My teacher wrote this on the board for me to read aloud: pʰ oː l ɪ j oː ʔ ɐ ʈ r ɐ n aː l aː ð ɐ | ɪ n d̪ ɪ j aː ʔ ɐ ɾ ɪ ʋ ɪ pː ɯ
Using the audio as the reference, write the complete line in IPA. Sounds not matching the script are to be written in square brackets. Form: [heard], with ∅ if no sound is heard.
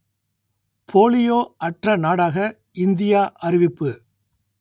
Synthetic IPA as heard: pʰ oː l ɪ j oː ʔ ɐ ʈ r ɐ n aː [ɽ] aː [ɣ] ɐ | ɪ n d̪ ɪ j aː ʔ ɐ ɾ ɪ ʋ ɪ pː ɯ

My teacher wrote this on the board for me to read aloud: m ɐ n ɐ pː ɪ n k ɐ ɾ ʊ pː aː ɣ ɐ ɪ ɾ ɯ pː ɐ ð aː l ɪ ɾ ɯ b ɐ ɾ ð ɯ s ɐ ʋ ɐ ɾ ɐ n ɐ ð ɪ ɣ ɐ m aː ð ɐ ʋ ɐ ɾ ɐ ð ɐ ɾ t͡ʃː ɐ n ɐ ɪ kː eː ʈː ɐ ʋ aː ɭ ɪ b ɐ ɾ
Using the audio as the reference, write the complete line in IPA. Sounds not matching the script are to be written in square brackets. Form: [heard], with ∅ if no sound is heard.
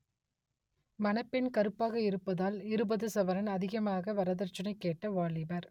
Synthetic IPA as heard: m ɐ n ɐ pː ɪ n k ɐ ɾ [ɯ] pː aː ɣ ɐ ɪ ɾ ɯ pː ɐ ð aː l ɪ ɾ ɯ b ɐ [∅] ð ɯ s ɐ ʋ ɐ ɾ ɐ n ɐ ð ɪ ɣ ɐ m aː [ɣ] ɐ ʋ ɐ ɾ ɐ ð ɐ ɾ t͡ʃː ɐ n ɐ ɪ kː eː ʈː ɐ ʋ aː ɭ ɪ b ɐ ɾ

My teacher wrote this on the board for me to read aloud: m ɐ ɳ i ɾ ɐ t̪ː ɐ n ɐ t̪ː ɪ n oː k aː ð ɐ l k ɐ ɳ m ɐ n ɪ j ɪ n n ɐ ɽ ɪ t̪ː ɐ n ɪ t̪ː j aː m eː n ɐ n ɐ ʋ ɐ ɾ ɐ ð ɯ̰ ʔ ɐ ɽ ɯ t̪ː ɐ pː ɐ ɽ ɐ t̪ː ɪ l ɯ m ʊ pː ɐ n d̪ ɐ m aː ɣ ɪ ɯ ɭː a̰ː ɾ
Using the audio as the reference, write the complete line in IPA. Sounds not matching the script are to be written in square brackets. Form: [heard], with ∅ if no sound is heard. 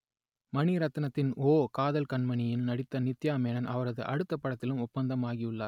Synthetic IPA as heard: m ɐ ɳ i ɾ ɐ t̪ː ɐ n ɐ t̪ː ɪ n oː k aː ð ɐ l k ɐ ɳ m ɐ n ɪ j ɪ n n ɐ ɽ ɪ t̪ː ɐ n ɪ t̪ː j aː m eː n ɐ n ɐ ʋ ɐ ɾ ɐ ð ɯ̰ ʔ ɐ ɽ ɯ t̪ː ɐ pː ɐ ɽ ɐ t̪ː ɪ l ɯ m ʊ pː ɐ n d̪ ɐ m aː ɣ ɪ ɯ ɭː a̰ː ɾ

